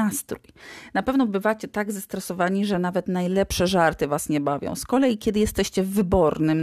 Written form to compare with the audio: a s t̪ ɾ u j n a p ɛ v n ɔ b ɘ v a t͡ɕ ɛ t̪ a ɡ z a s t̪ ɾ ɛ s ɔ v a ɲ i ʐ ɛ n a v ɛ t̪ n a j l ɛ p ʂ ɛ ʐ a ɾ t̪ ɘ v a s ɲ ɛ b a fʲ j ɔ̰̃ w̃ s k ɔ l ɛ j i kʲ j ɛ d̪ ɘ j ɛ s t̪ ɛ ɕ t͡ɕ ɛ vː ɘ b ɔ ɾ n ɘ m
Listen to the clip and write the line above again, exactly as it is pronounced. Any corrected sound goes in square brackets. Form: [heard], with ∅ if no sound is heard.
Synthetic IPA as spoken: a s t̪ ɾ u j n a p ɛ v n ɔ b ɘ v a t͡ɕ ɛ t̪ a ɡ z a s t̪ ɾ ɛ s ɔ v a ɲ i ʐ ɛ n a v ɛ t̪ n a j l ɛ p ʂ ɛ ʐ a ɾ t̪ ɘ v a s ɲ ɛ b a [vʲ] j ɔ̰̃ w̃ s k ɔ l ɛ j i kʲ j ɛ d̪ ɘ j ɛ s t̪ ɛ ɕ t͡ɕ ɛ vː ɘ b ɔ ɾ n ɘ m